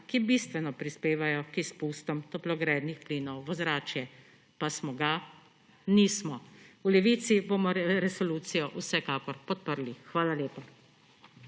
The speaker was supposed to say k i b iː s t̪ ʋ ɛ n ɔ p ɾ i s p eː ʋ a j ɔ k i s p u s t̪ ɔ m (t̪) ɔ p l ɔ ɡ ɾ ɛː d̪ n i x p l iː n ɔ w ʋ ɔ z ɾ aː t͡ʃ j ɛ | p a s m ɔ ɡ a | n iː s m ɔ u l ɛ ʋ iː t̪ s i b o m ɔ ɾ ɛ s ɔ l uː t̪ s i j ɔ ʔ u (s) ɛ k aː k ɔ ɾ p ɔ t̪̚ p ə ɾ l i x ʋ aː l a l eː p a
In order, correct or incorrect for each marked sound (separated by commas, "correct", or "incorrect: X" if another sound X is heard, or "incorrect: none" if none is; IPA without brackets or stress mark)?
correct, correct